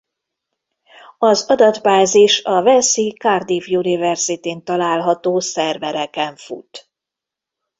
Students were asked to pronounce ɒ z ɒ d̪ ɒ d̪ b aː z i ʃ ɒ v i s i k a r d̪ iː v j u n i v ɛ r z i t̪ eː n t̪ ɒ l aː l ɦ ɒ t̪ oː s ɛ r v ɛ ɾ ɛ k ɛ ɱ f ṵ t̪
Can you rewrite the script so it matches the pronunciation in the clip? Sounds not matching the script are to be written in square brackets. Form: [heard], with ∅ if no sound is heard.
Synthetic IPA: ɒ z ɒ d̪ ɒ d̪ b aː z i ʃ ɒ v [ɛ] s i k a r d̪ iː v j u n i v ɛ r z i t̪ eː n t̪ ɒ l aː l ɦ ɒ t̪ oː s ɛ r v ɛ ɾ ɛ k ɛ ɱ f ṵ t̪